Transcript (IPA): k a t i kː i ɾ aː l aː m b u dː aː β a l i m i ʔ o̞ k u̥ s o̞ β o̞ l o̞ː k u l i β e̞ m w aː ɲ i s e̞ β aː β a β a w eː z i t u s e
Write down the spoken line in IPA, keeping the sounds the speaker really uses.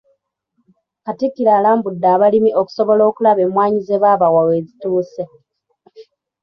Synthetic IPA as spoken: k a t i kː i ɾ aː l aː m b u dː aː β a l i m i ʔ o̞ k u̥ s o̞ β o̞ l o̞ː k u l a β e̞ m w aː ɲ i z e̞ β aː β a w a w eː z i t uː s e